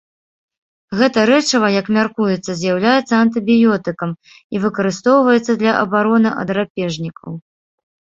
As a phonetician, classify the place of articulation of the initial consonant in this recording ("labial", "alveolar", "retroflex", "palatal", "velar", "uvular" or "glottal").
velar